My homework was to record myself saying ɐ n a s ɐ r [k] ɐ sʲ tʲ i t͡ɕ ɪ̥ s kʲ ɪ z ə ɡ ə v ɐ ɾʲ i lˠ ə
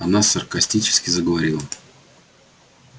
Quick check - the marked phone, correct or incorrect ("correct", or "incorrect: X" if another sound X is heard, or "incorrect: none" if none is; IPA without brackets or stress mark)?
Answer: correct